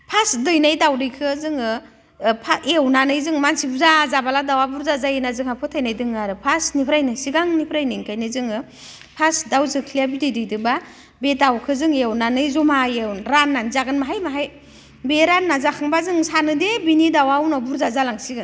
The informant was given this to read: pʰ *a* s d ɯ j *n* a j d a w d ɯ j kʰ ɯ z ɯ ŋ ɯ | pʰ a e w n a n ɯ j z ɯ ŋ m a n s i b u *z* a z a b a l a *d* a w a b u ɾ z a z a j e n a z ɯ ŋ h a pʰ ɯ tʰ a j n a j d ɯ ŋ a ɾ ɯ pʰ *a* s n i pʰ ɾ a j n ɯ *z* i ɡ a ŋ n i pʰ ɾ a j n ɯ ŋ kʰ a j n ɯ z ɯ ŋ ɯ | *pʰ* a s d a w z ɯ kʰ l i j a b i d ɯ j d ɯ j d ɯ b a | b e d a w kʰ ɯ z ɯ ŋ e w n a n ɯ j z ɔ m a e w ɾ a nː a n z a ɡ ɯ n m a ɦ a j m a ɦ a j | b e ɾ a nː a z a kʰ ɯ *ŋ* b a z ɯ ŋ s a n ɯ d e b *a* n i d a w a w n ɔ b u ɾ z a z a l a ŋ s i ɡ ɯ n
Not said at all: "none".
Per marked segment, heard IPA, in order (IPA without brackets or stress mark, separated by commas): a, n, z, d, a, s, pʰ, ŋ, i